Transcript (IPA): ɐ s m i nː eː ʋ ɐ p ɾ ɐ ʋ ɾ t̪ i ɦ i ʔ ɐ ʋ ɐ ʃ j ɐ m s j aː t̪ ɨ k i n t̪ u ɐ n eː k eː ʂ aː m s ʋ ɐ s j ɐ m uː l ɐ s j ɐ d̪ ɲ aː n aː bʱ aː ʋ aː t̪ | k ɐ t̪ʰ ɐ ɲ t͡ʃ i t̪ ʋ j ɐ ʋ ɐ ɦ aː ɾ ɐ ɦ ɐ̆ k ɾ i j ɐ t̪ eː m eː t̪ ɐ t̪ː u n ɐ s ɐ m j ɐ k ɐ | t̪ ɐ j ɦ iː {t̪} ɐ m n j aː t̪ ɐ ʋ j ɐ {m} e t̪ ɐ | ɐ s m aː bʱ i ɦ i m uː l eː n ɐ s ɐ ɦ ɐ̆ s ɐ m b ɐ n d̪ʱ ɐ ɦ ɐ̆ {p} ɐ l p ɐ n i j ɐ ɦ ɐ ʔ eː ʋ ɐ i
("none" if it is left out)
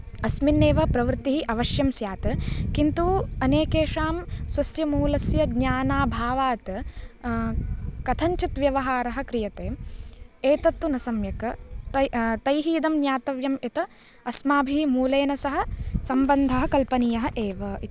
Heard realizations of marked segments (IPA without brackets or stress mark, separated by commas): d̪, m, k